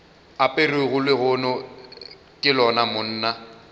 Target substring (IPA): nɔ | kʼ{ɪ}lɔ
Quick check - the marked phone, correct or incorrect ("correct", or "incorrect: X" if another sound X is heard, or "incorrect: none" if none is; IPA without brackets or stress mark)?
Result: correct